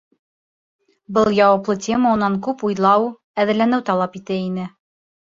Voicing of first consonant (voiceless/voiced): voiced